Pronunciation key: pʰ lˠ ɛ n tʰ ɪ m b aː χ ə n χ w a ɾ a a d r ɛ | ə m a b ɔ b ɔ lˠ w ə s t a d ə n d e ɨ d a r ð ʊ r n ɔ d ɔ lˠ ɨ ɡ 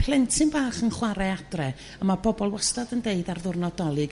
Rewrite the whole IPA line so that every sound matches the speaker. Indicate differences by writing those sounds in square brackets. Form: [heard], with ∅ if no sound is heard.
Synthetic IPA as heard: pʰ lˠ ɛ n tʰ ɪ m b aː χ ə n χ w a ɾ [ɛ] a d r ɛ | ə m a b ɔ b ɔ lˠ w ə s t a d ə n d e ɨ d a r ð ʊ r n ɔ d ɔ lˠ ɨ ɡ